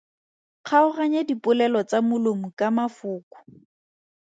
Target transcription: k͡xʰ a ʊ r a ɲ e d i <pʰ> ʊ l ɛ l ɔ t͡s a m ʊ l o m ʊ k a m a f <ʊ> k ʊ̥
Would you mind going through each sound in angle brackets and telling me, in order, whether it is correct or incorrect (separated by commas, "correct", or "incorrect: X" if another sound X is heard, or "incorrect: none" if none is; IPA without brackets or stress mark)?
incorrect: p, incorrect: ʊː